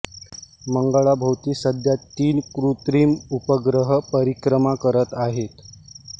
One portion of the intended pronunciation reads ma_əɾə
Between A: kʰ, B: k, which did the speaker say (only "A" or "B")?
B